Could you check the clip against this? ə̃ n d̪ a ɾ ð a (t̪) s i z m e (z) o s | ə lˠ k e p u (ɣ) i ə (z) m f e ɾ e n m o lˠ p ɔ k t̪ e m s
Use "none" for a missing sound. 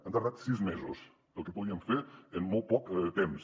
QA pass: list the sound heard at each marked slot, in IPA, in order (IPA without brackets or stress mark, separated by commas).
t̪, z, ð, none